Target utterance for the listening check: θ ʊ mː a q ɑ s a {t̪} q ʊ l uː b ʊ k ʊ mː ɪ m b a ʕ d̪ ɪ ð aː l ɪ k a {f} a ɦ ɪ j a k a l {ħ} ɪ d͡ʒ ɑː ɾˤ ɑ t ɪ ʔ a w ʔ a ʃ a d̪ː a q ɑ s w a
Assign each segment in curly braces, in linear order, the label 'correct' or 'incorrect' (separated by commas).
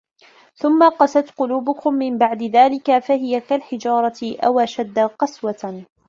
correct, correct, correct